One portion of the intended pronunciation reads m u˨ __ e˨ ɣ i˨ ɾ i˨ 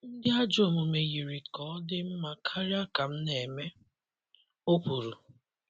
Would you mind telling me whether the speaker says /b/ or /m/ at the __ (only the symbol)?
m